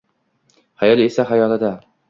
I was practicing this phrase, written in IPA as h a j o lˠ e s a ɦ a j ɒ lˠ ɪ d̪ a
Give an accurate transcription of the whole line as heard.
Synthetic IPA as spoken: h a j ɒ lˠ e s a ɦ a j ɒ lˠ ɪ d̪ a

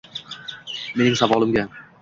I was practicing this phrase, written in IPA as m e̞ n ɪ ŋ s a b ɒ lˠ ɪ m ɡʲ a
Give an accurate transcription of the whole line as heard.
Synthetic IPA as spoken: m e̞ n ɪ ŋ s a v ɒ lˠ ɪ m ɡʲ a

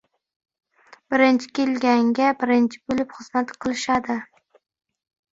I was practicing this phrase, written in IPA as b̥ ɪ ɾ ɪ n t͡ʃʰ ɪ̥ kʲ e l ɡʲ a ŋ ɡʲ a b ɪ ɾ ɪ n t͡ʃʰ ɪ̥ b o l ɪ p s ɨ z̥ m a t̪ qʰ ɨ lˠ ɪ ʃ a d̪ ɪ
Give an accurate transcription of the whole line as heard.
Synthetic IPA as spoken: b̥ ɪ ɾ ɪ n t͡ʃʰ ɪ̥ kʲ e l ɡʲ a ŋ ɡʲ a b ɪ ɾ ɪ n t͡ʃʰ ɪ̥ b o l ɪ p χ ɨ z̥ m a t̪ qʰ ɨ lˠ ɪ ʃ a d̪ ɪ

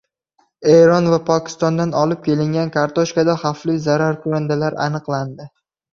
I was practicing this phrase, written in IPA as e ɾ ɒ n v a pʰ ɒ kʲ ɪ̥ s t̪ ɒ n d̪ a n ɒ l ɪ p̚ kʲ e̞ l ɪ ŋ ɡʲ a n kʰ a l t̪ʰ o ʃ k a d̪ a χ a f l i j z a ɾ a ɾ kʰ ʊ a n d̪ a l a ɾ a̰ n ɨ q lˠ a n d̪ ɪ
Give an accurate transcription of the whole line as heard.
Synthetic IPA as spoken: e ɾ ɒ n v a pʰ ɒ kʲ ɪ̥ s t̪ ɒ n d̪ a n ɒ l ɪ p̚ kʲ e̞ l ɪ ŋ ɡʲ a n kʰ a ɾ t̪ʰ o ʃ k a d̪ a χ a f l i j z a ɾ a ɾ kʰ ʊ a n d̪ a l a ɾ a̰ n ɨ q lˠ a n d̪ ɪ

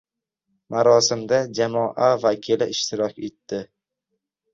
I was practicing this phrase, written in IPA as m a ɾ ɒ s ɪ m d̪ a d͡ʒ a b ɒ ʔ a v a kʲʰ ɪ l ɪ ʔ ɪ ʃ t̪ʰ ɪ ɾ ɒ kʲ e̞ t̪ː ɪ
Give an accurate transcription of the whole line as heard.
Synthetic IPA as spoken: m a ɾ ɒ s ɪ m d̪ a d͡ʒ a m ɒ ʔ a v a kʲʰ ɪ l ɪ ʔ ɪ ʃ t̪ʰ ɪ ɾ ɒ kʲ e̞ t̪ː ɪ

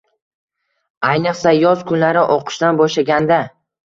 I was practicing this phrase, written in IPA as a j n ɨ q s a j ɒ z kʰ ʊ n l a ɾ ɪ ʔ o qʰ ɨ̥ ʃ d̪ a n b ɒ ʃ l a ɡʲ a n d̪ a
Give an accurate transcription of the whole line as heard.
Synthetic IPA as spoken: a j n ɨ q s a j ɒ z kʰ ʊ n l a ɾ ɪ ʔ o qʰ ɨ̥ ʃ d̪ a n b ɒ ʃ l a ɡʲ a n d̪ a

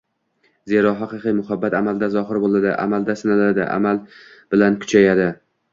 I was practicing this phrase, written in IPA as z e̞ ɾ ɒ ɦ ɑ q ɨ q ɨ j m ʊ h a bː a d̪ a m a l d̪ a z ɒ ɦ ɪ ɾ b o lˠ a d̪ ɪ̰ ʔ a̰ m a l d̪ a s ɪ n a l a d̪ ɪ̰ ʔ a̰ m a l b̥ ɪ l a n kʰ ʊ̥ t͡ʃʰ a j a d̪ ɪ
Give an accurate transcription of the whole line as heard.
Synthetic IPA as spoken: z e̞ ɾ ɒ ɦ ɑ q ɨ q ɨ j m ʊ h a bː a t̪ a m a l d̪ a z ɒ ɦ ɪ ɾ b o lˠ a d̪ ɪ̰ ʔ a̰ m a l d̪ a s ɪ n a l a d̪ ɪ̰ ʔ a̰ m a l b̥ ɪ l a n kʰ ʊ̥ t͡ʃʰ a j a d̪ ɪ

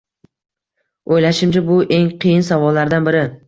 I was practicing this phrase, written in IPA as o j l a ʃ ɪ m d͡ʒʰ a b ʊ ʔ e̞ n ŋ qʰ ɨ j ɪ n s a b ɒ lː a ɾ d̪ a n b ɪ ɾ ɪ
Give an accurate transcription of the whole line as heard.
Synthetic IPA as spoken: o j l a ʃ ɪ m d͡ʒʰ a b ʊ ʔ e̞ ŋ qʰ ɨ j ɪ n s a v ɒ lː a ɾ d̪ a n b ɪ ɾ ɪ

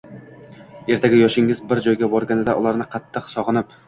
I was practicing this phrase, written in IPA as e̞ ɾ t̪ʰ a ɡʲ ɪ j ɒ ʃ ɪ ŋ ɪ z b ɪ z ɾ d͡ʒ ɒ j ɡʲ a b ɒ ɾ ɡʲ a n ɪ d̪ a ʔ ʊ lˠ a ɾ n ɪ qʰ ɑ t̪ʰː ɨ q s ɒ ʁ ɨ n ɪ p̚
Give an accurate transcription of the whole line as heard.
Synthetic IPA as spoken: e̞ ɾ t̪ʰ a ɡʲ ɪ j ɒ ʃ ɪ ŋ ɪ z b ɪ ɾ d͡ʒ ɒ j ɡʲ a b ɒ ɾ ɡʲ a n ɪ d̪ a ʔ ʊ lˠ a ɾ n ɪ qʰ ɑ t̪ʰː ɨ q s ɒ ʁ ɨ n ɪ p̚

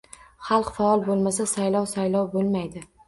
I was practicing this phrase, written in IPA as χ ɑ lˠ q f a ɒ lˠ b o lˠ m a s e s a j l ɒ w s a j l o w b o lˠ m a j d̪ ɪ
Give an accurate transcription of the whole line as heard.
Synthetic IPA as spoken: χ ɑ lˠ q f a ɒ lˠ b o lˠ m a s a s a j l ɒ w s a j l ɒ w b o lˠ m a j d̪ ɪ

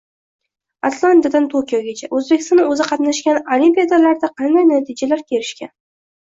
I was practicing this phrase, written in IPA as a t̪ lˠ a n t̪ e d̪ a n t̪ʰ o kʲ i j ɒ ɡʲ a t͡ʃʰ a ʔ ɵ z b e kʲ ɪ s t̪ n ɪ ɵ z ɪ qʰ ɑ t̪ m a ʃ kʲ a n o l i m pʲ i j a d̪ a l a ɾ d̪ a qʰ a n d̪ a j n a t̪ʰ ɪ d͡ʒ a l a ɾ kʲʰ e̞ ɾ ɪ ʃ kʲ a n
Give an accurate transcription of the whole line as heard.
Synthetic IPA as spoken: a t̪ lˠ a n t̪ a d̪ a n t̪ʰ o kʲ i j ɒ ɡʲ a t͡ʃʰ a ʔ ɵ z b e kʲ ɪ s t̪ n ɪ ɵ z ɪ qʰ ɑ t̪ n a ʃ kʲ a n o l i m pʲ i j a d̪ a l a ɾ d̪ a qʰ ɑ n d̪ a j n a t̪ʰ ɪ d͡ʒ a l a ɾ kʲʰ e̞ ɾ ɪ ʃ kʲ a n

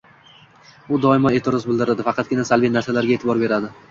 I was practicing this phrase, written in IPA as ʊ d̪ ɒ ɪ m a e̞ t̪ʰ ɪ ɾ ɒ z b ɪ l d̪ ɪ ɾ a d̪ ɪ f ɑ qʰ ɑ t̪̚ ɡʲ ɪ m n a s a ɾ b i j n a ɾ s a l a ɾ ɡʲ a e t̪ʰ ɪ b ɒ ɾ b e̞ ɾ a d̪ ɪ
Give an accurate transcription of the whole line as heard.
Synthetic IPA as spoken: ʊ d̪ ɒ ɪ m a e̞ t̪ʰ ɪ ɾ ɒ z b ɪ l d̪ ɪ ɾ a d̪ ɪ f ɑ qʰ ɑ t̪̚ ɡʲ ɪ n a s a l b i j n a ɾ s a l a ɾ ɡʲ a e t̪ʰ ɪ b ɒ ɾ b e̞ ɾ a d̪ ɪ

